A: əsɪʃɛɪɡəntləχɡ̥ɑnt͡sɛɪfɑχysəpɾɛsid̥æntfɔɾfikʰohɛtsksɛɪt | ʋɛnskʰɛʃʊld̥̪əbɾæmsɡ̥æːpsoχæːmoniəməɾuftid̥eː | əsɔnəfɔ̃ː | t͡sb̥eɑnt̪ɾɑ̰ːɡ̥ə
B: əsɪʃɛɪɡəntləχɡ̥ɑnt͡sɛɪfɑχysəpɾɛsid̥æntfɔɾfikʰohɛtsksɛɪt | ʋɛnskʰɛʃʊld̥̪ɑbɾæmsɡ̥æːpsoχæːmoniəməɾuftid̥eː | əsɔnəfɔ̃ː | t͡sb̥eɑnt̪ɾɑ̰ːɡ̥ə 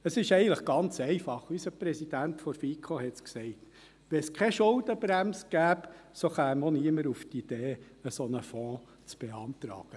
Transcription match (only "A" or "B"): A